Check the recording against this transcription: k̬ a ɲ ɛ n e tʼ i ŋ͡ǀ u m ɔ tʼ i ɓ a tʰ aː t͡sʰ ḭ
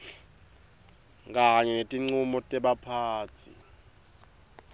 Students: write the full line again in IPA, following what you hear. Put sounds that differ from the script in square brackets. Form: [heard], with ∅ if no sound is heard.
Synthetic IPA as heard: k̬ a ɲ ɛ n e tʼ i ŋ͡ǀ u m ɔ tʼ [ɛ] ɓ a [pʰ] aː t͡sʰ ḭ